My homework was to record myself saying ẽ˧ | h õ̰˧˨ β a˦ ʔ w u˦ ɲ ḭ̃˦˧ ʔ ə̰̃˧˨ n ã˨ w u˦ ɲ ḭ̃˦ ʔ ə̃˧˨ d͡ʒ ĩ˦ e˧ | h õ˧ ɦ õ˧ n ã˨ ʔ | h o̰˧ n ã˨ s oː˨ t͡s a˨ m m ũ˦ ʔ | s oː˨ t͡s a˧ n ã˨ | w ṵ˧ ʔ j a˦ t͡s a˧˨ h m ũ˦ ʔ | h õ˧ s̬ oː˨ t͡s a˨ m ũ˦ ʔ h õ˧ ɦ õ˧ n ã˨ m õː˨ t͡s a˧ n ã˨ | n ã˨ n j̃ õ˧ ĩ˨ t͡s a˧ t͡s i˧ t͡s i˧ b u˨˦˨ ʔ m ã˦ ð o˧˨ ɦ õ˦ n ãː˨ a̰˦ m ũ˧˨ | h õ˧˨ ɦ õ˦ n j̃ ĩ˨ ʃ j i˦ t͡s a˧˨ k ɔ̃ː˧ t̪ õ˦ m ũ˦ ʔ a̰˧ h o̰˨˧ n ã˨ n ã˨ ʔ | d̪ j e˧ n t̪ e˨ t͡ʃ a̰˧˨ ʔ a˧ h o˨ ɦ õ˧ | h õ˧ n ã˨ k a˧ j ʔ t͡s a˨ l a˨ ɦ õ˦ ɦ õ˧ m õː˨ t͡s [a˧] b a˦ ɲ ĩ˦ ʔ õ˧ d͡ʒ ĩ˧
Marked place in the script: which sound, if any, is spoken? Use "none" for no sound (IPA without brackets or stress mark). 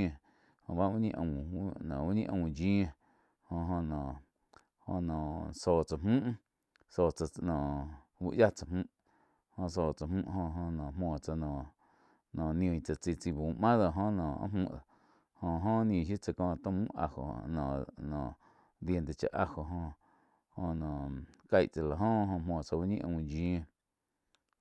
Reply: a˧